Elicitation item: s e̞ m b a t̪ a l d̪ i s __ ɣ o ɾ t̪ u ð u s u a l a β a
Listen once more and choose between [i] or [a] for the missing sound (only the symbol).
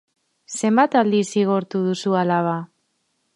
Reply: i